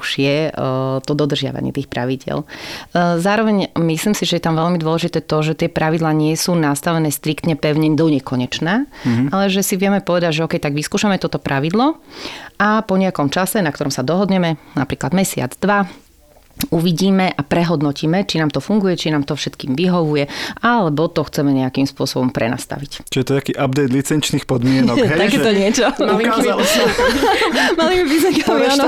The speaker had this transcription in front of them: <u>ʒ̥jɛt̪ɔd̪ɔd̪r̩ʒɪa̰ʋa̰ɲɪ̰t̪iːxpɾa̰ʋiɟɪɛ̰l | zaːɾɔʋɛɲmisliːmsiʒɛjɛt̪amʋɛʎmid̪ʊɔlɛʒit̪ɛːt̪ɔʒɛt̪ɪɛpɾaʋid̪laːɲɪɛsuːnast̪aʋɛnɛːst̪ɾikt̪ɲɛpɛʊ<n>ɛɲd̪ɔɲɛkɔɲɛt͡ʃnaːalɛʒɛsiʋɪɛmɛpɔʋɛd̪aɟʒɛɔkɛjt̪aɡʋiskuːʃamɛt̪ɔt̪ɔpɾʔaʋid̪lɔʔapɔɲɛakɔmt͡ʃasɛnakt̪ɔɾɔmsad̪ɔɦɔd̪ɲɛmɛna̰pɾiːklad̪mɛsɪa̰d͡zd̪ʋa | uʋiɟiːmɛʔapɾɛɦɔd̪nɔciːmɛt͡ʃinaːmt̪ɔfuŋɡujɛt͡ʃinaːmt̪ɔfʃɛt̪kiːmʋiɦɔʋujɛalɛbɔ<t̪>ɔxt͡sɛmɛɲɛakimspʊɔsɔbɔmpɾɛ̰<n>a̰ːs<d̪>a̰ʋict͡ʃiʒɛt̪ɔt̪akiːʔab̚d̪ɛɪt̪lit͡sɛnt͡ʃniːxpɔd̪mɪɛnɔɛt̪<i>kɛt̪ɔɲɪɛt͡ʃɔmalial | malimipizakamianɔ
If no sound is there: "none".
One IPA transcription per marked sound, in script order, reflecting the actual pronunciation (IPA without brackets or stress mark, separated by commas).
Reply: u, ɲ, t̪, n, t̪, a